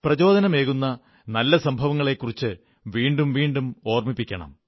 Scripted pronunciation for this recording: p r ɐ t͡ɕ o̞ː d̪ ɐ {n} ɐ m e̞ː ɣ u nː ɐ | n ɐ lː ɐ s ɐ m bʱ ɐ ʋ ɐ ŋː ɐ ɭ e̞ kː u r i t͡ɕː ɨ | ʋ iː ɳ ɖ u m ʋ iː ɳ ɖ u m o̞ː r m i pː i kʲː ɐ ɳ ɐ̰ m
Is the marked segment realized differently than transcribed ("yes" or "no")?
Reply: no